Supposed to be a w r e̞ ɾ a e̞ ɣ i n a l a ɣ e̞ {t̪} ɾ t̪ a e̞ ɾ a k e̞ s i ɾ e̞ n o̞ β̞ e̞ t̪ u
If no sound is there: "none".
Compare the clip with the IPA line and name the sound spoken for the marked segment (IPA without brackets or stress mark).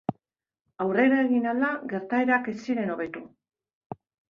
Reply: none